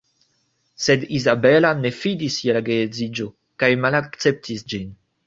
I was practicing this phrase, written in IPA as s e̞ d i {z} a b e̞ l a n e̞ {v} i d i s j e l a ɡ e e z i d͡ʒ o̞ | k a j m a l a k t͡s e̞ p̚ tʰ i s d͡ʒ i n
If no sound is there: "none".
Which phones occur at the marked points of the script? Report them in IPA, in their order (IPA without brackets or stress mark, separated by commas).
z, f